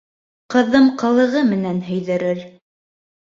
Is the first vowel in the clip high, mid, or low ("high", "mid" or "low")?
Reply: mid